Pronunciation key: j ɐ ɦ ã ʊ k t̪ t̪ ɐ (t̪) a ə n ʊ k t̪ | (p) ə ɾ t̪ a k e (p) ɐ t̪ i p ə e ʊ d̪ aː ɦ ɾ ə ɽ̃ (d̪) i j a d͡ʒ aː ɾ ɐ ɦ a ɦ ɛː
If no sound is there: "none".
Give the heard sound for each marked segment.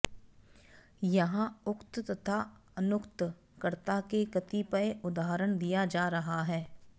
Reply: t̪ʰ, k, k, d̪

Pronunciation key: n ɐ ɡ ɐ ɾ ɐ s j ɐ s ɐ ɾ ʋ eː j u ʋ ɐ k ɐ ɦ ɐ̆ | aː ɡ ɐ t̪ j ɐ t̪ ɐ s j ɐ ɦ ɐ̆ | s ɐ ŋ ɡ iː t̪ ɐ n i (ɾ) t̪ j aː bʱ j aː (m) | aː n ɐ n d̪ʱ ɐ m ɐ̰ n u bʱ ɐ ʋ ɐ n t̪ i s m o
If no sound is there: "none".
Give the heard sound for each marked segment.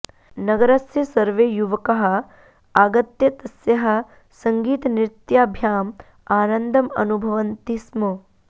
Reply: ɾ, m

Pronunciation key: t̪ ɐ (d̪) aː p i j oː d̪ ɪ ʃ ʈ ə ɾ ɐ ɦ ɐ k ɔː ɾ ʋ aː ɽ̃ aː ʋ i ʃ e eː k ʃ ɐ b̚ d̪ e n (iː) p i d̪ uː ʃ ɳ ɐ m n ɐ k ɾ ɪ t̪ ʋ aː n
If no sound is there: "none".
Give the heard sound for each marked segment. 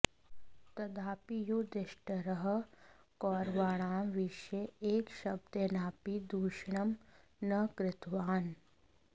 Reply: d̪, aː

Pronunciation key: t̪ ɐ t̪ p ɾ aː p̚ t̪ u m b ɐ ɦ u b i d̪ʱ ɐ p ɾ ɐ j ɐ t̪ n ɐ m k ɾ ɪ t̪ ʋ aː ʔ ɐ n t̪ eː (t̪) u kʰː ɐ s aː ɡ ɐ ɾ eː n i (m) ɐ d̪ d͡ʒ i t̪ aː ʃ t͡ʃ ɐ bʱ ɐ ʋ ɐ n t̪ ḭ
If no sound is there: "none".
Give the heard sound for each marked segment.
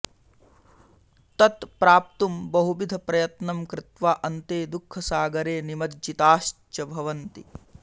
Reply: d̪, m

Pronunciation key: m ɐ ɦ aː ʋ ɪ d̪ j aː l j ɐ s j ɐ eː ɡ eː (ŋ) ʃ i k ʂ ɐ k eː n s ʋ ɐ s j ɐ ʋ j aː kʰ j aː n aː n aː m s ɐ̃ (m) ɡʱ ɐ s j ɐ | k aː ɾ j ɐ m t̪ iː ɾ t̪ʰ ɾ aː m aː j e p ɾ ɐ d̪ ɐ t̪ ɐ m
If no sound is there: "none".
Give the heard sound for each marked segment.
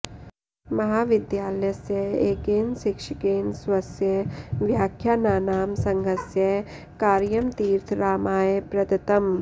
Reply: n, ŋ

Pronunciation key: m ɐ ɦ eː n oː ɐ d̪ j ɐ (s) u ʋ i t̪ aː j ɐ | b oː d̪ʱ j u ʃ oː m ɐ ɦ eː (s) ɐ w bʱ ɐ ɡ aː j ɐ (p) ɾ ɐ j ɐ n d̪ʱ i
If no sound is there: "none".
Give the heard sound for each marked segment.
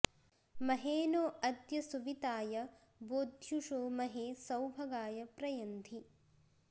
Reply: s, s, p

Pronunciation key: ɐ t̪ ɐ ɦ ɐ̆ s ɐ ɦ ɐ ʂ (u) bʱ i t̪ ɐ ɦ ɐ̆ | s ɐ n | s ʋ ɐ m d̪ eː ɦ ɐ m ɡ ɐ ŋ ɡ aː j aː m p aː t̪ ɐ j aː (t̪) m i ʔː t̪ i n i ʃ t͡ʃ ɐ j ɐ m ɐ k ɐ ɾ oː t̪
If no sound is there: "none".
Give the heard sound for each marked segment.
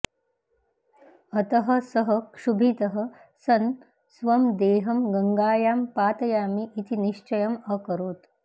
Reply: u, none

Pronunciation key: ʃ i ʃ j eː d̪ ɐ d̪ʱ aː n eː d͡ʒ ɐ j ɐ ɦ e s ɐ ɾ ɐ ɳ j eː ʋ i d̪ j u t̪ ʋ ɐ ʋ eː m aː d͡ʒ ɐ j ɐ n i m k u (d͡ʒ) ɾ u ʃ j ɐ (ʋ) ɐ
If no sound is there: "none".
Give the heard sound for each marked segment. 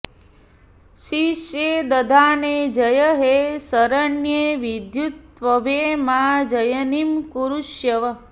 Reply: none, ʋ

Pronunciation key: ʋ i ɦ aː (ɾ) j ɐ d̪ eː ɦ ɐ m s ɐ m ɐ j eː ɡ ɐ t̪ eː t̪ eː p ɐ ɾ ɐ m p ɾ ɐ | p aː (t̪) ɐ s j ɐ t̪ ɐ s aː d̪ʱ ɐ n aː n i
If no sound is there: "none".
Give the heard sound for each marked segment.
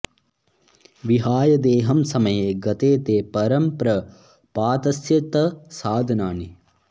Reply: none, t̪

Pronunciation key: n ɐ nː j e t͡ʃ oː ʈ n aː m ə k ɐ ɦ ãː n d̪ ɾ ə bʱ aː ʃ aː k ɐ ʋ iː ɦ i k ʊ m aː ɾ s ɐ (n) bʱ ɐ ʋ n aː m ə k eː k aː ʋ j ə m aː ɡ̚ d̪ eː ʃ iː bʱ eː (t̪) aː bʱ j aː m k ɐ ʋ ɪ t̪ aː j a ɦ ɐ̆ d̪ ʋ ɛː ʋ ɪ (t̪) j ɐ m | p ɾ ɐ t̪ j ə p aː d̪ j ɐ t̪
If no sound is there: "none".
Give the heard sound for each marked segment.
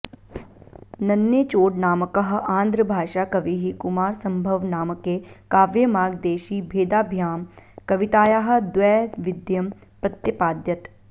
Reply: m, d̪, d̪

